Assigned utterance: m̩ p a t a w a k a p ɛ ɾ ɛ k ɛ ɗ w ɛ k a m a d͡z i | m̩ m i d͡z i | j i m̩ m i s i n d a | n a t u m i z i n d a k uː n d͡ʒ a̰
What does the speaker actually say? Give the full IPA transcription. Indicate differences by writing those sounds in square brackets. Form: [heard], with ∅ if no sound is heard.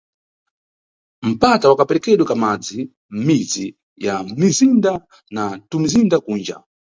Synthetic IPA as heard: m̩ p a t a w a k a p ɛ ɾ ɛ k ɛ ɗ w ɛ k a m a d͡z i | m̩ m i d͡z i | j [a] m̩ m i [z] i n d a | n a t u m i z i n d a k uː n d͡ʒ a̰